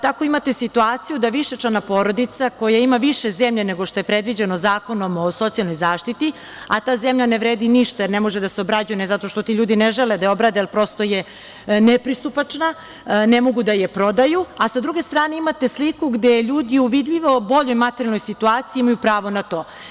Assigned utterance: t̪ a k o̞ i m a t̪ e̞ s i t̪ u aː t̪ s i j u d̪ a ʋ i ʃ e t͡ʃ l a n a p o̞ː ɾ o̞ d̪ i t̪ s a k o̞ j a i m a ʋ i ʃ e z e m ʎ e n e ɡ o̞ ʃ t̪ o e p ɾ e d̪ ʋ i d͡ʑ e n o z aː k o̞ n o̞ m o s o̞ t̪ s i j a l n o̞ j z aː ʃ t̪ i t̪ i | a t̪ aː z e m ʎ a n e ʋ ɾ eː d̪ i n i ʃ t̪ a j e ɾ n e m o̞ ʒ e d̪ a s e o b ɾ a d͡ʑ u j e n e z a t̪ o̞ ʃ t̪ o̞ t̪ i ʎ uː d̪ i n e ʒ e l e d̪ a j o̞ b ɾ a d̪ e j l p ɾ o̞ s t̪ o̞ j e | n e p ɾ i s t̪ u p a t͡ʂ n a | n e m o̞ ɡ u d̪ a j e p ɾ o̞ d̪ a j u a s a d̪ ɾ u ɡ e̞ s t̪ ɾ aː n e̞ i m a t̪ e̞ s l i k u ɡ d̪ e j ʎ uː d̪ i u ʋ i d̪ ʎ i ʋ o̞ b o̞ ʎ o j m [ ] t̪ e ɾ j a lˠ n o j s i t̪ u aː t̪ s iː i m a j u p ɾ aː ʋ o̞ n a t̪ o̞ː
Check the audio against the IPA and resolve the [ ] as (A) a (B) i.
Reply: A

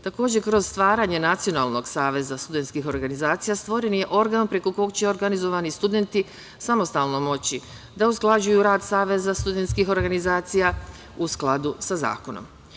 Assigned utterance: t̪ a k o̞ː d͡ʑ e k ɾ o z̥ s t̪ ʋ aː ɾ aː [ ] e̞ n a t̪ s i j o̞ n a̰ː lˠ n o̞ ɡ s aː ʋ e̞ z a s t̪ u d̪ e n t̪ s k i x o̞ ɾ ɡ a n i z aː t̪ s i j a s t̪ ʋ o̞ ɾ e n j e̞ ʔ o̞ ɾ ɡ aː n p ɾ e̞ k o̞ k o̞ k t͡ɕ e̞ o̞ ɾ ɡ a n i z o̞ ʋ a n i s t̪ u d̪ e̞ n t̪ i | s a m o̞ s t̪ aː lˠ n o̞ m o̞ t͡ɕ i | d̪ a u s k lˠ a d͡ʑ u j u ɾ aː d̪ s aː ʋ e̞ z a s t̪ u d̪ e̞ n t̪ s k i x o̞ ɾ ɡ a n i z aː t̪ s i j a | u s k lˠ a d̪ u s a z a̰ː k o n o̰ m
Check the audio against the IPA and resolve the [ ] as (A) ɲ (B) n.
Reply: A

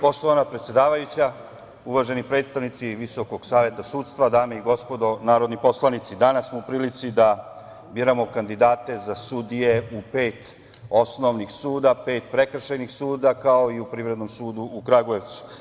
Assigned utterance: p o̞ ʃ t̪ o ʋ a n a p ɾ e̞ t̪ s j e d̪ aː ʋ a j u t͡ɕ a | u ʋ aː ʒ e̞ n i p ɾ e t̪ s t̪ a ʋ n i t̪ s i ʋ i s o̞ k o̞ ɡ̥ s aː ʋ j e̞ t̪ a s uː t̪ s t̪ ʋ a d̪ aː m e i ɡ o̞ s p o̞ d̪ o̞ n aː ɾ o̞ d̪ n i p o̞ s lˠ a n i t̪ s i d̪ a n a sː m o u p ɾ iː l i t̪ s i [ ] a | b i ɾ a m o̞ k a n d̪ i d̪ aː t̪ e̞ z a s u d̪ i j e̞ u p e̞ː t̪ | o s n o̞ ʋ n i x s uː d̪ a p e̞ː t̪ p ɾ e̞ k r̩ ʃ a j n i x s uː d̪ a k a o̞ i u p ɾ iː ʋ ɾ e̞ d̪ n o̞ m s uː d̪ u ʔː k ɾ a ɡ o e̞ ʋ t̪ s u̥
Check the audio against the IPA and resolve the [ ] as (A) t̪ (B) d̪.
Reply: B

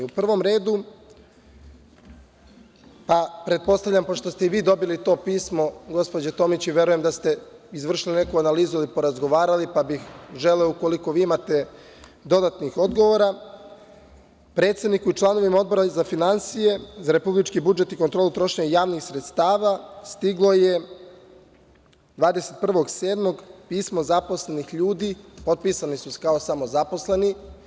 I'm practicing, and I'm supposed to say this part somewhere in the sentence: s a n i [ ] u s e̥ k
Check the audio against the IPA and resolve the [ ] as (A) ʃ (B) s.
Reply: B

